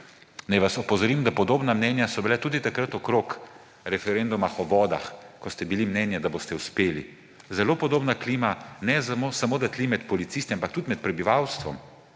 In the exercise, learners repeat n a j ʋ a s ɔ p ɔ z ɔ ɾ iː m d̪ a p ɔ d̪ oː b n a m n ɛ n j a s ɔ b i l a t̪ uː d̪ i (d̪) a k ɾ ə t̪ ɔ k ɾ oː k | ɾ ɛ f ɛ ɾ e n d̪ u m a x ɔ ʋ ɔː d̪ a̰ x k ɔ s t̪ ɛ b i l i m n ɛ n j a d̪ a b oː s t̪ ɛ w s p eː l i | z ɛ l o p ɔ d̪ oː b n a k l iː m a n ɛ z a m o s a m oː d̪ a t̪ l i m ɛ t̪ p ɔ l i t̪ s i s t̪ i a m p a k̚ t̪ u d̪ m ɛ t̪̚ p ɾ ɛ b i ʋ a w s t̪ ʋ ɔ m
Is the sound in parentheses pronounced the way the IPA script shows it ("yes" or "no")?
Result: no